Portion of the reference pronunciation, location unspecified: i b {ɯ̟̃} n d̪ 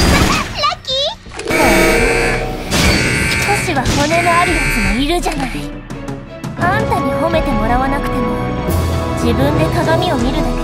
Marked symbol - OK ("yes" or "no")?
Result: yes